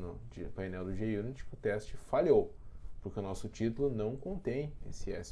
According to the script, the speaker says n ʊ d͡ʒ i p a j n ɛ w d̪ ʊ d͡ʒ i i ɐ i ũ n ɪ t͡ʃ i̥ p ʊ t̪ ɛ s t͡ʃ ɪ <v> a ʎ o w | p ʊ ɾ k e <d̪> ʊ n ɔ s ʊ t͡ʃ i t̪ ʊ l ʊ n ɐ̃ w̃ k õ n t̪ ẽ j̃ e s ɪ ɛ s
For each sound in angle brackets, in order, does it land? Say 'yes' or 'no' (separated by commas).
no, no